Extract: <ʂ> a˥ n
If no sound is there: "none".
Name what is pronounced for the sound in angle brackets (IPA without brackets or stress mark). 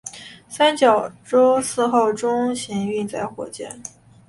s